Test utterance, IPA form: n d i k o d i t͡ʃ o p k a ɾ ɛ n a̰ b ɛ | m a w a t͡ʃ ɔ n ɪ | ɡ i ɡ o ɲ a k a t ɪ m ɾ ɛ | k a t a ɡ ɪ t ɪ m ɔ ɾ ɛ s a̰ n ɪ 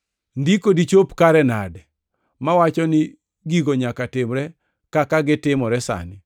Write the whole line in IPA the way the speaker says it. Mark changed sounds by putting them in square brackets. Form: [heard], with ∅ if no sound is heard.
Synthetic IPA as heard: n d i k o d i t͡ʃ o p k a ɾ ɛ n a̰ [d] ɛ | m a w a t͡ʃ ɔ n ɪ | ɡ i ɡ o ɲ a k a t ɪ m ɾ ɛ | k a [k] a ɡ ɪ t ɪ m ɔ ɾ ɛ s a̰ n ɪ